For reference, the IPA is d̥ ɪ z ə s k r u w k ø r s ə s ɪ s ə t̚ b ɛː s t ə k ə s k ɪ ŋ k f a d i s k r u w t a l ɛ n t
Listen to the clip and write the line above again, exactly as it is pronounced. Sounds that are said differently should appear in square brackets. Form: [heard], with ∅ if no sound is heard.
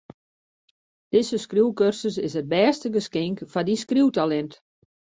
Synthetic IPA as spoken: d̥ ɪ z ə s k r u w k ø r s ə s ɪ s ə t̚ b ɛː s t ə [ɡ] ə s k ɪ ŋ k f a d i s k r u w t a l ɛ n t

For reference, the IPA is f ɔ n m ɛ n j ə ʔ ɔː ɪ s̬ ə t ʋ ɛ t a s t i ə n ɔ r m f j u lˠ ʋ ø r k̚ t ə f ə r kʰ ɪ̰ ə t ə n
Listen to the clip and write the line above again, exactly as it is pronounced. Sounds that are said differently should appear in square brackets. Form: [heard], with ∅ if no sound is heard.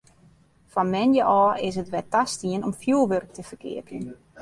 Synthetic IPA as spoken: f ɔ n m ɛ n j ə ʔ ɔː ɪ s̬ ə t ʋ ɛ t a s t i ə n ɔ [∅] m f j u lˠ ʋ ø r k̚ t ə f ə r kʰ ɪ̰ ə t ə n

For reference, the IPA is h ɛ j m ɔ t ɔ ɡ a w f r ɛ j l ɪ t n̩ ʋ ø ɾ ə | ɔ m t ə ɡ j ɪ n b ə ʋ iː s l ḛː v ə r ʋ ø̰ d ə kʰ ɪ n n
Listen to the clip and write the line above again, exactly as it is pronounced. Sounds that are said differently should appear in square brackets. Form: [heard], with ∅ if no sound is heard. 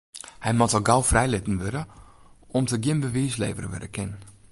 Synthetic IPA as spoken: h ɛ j m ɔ t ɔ ɡ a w f r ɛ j l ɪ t n̩ ʋ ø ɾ ə | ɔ m t ə ɡ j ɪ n b ə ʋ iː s l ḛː v ə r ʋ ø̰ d ə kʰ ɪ n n

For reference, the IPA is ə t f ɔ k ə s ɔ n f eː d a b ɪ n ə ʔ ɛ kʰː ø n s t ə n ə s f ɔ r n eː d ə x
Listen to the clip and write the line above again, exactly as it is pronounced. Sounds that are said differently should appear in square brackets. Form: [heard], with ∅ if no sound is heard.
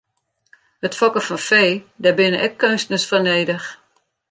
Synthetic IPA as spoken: ə t f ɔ k ə [f] ɔ n f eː d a b ɪ n ə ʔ ɛ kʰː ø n s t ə n ə s f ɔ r n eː d ə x

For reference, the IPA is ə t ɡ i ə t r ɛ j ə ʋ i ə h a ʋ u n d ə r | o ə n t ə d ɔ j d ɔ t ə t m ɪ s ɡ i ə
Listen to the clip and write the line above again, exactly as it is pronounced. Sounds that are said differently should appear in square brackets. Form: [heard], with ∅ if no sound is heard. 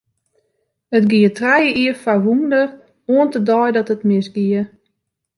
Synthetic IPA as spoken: ə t ɡ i ə t r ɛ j ə [∅] i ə [f] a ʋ u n d ə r | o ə n t ə d ɔ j d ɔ t ə t m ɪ s ɡ i ə

